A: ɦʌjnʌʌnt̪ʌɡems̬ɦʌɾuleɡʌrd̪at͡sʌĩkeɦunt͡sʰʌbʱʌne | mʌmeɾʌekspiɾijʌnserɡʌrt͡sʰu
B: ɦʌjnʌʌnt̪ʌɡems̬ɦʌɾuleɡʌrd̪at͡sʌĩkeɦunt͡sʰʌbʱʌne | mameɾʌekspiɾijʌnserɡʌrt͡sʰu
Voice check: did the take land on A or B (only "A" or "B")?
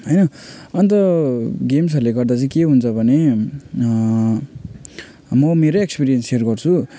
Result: A